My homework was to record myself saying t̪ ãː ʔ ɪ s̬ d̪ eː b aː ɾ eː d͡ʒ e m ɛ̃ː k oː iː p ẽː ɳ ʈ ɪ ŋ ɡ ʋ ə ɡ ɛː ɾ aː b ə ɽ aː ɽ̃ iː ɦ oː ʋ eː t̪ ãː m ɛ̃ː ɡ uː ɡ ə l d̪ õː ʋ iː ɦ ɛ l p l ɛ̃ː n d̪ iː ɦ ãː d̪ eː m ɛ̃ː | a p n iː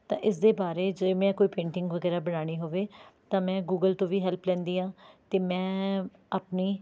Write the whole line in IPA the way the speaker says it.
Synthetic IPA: t̪ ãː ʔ ɪ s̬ d̪ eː b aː ɾ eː d͡ʒ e m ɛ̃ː k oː iː p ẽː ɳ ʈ ɪ ŋ ɡ ʋ ə ɡ ɛː ɾ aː b ə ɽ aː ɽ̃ iː ɦ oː ʋ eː t̪ ãː m ɛ̃ː ɡ uː ɡ ə l t̪ õː ʋ iː ɦ ɛ l p l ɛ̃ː n d̪ iː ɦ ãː t̪ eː m ɛ̃ː | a p n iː